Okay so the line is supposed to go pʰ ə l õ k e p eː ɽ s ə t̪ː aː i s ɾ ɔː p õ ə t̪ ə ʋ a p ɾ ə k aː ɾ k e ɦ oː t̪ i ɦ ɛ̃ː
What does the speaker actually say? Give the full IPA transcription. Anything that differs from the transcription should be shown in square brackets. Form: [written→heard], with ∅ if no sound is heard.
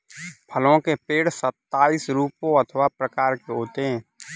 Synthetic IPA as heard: pʰ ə l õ k e p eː ɽ s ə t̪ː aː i s ɾ [ɔː→uː] p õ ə [t̪→t̪ʰ] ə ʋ a p ɾ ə k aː ɾ k e ɦ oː t̪ [i→e] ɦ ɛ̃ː